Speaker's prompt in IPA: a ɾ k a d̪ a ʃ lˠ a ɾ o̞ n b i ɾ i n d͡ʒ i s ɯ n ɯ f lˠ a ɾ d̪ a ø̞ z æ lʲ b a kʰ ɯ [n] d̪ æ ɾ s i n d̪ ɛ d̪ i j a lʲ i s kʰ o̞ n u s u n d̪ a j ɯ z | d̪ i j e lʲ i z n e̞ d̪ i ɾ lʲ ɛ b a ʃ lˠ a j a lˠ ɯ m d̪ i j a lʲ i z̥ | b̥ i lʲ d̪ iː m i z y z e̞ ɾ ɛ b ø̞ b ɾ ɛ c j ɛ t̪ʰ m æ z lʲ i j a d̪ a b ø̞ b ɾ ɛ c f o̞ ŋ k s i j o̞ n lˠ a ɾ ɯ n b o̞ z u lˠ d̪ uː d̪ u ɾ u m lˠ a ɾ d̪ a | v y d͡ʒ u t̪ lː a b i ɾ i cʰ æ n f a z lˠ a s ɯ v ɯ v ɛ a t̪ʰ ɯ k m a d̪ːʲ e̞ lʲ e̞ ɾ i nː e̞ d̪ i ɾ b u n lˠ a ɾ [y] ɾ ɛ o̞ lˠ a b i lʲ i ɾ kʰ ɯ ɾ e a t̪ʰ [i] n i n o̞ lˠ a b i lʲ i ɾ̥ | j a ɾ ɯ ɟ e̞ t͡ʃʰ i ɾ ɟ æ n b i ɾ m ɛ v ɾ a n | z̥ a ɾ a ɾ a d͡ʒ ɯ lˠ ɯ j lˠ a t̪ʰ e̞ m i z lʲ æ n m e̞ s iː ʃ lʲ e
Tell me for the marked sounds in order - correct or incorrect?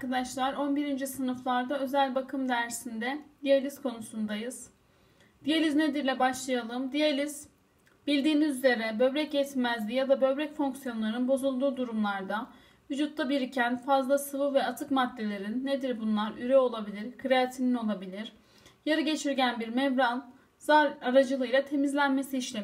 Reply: incorrect, correct, correct

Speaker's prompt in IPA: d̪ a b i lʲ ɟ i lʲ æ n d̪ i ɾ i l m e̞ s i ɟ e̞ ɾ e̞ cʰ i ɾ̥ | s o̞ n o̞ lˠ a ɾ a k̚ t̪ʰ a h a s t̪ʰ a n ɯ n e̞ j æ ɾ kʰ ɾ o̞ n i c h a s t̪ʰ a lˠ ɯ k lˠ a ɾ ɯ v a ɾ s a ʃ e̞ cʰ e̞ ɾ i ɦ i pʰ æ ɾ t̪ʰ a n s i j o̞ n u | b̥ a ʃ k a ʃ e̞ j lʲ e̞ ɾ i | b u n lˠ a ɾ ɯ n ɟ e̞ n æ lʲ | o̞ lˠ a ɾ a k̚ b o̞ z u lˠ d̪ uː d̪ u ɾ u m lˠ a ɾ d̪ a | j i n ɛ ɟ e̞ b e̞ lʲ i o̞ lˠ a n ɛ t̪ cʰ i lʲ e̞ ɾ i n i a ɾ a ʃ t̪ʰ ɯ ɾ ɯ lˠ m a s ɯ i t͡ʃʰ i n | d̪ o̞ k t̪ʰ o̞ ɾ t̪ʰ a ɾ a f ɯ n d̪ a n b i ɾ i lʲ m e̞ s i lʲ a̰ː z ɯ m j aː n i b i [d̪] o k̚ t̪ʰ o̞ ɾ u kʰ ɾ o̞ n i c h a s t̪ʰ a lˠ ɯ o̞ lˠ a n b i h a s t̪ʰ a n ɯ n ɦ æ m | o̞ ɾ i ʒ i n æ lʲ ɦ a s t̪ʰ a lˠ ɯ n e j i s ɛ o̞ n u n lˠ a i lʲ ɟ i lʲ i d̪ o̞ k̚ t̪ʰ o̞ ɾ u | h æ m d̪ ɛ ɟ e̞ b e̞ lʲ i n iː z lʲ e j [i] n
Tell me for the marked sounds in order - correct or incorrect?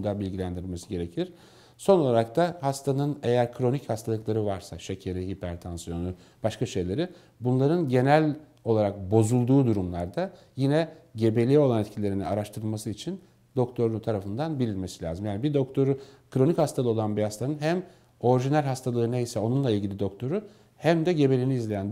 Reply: correct, incorrect

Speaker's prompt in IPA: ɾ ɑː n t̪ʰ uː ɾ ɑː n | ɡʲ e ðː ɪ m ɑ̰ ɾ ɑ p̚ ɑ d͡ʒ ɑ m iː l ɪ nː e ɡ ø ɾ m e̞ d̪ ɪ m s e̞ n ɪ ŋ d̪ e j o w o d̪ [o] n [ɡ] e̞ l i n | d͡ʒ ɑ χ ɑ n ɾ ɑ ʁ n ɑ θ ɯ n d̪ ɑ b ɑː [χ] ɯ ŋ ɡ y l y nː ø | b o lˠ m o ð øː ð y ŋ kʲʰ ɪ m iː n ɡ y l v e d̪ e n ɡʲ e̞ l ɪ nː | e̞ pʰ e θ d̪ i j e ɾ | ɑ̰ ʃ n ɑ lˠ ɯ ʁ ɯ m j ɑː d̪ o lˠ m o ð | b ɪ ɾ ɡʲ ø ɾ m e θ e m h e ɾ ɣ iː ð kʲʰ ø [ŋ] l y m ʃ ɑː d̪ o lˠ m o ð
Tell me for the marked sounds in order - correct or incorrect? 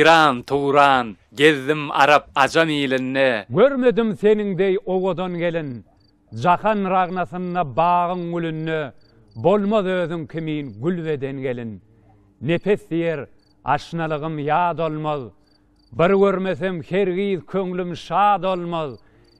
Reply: correct, correct, incorrect, correct

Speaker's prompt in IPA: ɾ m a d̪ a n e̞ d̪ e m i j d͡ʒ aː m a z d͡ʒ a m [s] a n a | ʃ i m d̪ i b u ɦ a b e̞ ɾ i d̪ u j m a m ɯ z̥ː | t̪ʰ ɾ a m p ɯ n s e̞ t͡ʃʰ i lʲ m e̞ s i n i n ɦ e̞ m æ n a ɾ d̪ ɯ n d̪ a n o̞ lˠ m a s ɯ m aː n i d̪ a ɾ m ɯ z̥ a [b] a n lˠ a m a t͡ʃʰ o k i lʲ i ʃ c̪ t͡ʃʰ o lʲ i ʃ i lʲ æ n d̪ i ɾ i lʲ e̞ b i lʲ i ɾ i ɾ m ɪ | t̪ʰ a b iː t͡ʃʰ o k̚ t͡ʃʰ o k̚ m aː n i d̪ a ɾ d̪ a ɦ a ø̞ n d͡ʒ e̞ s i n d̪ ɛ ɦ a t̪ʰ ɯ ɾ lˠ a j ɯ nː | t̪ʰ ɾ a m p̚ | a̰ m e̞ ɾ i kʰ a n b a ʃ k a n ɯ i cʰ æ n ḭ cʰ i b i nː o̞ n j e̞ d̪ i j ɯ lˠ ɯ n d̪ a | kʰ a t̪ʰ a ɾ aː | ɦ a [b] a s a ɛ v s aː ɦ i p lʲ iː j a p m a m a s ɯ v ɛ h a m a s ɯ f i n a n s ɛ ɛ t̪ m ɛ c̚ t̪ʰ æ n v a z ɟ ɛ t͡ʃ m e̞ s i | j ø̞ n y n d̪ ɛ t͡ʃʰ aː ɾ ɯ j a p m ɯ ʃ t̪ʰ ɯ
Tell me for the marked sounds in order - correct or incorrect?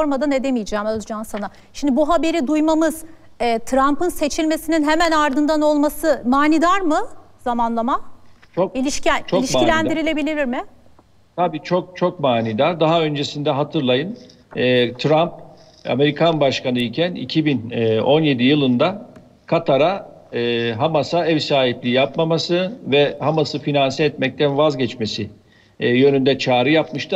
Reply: correct, incorrect, incorrect

